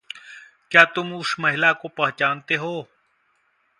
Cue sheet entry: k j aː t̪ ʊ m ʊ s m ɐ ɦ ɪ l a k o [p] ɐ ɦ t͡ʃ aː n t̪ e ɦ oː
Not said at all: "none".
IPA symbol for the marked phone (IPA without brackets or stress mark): p